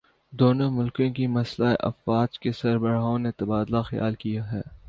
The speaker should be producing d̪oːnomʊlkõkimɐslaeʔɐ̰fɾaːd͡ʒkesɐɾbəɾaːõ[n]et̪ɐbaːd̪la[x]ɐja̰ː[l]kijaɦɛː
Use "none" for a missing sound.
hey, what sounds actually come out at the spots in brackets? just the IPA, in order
n, x, l

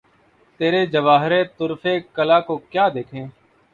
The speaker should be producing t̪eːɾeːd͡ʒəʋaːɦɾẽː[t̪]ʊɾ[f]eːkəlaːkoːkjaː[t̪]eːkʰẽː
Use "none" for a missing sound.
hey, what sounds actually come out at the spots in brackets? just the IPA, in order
t̪, f, d̪

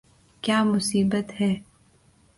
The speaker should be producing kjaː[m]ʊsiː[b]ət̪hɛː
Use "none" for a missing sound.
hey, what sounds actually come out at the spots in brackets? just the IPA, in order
m, b

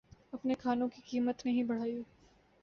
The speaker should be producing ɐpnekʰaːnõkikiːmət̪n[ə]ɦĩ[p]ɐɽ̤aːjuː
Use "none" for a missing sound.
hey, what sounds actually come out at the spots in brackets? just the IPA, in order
ɐ, b

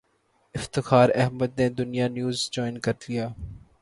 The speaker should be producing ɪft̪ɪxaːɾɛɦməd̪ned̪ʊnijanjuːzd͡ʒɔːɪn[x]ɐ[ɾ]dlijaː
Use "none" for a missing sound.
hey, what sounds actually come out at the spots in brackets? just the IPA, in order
k, ɾ

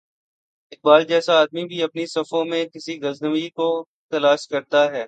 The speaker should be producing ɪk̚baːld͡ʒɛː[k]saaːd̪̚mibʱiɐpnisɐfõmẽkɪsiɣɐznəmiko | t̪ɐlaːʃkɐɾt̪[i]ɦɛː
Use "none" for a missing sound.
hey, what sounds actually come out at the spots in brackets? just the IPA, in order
none, a

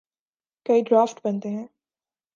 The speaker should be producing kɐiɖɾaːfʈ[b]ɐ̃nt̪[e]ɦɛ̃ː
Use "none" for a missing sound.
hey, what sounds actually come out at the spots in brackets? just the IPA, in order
b, e

